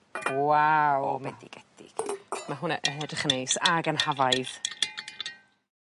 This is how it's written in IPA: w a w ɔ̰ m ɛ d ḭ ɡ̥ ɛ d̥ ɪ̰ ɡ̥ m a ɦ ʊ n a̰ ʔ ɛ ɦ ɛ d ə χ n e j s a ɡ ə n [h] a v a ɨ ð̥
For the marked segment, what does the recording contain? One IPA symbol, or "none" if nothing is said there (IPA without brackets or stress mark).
h